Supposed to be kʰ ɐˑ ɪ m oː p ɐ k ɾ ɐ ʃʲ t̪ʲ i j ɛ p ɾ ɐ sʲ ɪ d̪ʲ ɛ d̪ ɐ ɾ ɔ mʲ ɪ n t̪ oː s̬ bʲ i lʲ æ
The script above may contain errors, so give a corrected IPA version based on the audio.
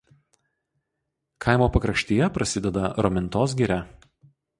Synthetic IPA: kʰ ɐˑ ɪ m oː p ɐ k ɾ ɐ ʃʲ t̪ʲ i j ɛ p ɾ ɐ sʲ ɪ d̪ʲ ɛ d̪ ɐ ɾ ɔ mʲ ɪ n t̪ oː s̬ ɡʲ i ɾʲ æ

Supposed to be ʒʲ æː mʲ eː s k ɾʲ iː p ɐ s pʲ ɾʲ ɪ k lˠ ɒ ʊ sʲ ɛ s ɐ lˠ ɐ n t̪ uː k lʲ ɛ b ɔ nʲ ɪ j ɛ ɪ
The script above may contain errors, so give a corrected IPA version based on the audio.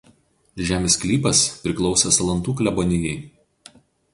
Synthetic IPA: ʒʲ æː mʲ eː s k lʲ iː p ɐ s pʲ ɾʲ ɪ k lˠ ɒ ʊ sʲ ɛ s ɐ lˠ ɐ n t̪ uː k lʲ ɛ b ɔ nʲ ɪ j ɛ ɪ

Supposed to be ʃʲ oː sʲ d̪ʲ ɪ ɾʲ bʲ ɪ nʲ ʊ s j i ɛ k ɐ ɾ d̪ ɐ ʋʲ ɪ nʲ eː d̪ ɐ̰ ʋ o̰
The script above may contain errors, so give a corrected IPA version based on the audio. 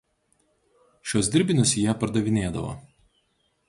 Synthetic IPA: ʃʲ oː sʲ d̪ʲ ɪ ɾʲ bʲ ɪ nʲ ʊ s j i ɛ p ɐ ɾ d̪ ɐ ʋʲ ɪ nʲ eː d̪ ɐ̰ ʋ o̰

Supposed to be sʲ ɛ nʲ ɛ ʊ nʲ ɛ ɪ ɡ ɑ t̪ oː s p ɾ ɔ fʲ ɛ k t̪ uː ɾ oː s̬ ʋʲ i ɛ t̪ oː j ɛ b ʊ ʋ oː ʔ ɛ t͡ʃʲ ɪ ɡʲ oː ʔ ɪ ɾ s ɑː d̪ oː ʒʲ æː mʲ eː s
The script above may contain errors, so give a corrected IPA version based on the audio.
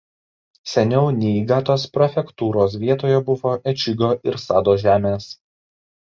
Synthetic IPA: sʲ ɛ nʲ ɛ ʊ nʲ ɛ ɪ ɡ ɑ t̪ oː s p ɾ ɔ fʲ ɛ k t̪ uː ɾ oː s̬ ʋʲ i ɛ t̪ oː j ɛ b ʊ ʋ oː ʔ ɛ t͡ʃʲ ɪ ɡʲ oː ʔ ɪ ɾ s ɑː d̪ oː ʒʲ æː mʲ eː s

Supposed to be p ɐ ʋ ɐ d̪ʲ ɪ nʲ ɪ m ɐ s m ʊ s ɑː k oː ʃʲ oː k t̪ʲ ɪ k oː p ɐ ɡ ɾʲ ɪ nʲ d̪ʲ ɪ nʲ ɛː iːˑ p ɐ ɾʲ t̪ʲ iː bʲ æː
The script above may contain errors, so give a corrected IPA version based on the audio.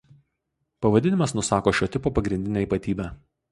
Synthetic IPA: p ɐ ʋ ɐ d̪ʲ ɪ nʲ ɪ m ɐ s n ʊ s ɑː k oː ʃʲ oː t̪ʲ ɪ p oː p ɐ ɡ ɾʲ ɪ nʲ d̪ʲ ɪ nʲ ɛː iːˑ p ɐ t̪ʲ iː bʲ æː

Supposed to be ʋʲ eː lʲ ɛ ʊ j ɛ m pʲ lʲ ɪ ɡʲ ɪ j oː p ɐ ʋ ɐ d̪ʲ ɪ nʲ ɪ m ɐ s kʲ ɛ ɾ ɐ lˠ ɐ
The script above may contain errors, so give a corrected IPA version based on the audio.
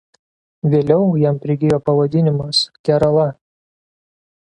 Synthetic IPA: ʋʲ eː lʲ ɛ ʊ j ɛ m pʲ ɾʲ ɪ ɡʲ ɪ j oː p ɐ ʋ ɐ d̪ʲ ɪ nʲ ɪ m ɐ s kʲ ɛ ɾ ɐ lˠ ɐ

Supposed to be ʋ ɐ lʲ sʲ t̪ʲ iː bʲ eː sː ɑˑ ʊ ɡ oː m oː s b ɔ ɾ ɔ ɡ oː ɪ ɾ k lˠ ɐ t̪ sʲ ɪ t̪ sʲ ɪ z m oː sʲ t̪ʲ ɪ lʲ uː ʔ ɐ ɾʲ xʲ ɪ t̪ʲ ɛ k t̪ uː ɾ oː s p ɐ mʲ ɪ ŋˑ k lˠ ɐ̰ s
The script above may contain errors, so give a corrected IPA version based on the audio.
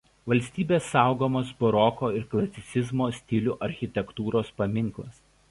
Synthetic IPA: ʋ ɐ lʲ sʲ t̪ʲ iː bʲ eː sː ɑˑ ʊ ɡ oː m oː s b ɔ ɾ ɔ k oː ɪ ɾ k lˠ ɐ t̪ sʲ ɪ t̪ sʲ ɪ z m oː sʲ t̪ʲ ɪ lʲ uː ʔ ɐ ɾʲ xʲ ɪ t̪ʲ ɛ k t̪ uː ɾ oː s p ɐ mʲ ɪ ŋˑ k lˠ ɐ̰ s

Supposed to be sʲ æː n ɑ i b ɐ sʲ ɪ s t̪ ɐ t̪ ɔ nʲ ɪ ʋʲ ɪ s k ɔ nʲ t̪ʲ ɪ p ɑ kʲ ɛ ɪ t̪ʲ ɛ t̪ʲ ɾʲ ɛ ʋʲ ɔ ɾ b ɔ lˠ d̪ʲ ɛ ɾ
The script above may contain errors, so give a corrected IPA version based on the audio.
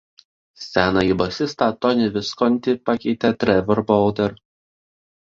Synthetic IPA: sʲ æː n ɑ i b ɐ sʲ ɪ s t̪ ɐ t̪ ɔ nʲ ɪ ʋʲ ɪ s k ɔ nʲ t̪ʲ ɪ p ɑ kʲ ɛ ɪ t̪ʲ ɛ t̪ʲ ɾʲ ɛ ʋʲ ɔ ɾ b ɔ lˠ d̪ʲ ɛ ɾ

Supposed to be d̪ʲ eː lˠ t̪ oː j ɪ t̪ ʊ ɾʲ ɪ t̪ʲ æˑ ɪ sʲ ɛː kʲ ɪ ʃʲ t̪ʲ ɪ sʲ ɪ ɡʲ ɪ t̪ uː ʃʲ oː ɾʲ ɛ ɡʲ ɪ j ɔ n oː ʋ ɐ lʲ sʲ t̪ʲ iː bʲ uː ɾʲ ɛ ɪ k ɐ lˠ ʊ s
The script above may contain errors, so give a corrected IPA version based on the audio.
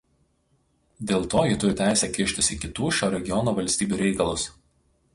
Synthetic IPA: d̪ʲ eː lˠ t̪ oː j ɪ t̪ ʊ ɾʲ ɪ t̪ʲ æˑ ɪ sʲ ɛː kʲ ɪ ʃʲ t̪ʲ ɪ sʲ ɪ kʲ ɪ t̪ uː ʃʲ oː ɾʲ ɛ ɡʲ ɪ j ɔ n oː ʋ ɐ lʲ sʲ t̪ʲ iː bʲ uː ɾʲ ɛ ɪ k ɐ lˠ ʊ s

